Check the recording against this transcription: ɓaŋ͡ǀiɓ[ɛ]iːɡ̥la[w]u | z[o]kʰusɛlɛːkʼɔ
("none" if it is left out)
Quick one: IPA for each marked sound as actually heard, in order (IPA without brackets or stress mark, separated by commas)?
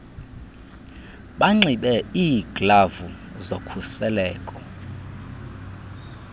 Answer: ɛ, v, o